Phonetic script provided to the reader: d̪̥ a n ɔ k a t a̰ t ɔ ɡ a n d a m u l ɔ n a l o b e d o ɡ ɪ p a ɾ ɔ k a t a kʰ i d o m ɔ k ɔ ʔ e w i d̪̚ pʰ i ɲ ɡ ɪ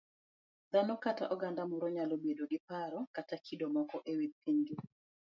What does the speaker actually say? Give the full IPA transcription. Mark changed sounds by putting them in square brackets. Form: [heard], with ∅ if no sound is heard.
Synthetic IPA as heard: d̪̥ a n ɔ k a t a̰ [ʔ] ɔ ɡ a n d a m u [ɾ] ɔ [ɲ] a l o b e d o ɡ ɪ p a ɾ ɔ k a t a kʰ i d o m ɔ k ɔ ʔ e w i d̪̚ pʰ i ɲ ɡ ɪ